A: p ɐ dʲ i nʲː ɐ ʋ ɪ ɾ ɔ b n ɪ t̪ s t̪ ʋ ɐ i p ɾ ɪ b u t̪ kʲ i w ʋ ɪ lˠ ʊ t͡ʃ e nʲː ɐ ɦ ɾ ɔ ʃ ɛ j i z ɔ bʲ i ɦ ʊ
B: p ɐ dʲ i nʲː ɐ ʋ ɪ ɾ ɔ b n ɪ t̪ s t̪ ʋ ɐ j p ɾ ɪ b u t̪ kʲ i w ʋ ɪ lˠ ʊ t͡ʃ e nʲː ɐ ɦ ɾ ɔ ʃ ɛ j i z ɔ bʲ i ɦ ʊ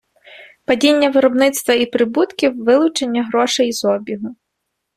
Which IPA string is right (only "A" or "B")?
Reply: A